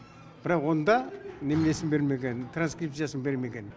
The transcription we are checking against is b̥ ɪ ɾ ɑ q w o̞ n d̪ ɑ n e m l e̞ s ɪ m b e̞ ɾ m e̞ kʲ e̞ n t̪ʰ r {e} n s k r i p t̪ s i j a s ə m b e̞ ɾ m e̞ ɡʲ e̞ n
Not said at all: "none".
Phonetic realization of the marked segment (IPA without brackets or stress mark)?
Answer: a